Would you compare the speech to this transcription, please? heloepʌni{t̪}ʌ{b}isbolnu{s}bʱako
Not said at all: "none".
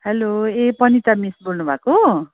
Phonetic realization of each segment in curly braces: t̪, m, none

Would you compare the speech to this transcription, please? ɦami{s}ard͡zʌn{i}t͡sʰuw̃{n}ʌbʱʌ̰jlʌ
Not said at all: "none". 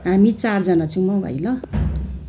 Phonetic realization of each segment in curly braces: t͡s, a, m

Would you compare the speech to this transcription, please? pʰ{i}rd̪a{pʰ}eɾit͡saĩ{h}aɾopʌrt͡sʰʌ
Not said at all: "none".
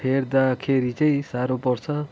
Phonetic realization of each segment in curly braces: e, kʰ, s

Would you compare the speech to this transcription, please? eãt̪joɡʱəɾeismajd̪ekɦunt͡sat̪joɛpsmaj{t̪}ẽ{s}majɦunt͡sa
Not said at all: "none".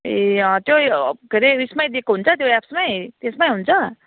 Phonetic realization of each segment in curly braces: t̪, s

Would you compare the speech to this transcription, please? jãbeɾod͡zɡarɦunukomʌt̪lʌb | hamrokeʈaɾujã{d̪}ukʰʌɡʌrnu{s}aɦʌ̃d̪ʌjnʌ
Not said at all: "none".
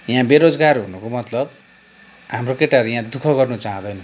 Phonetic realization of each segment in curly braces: d̪, t͡s

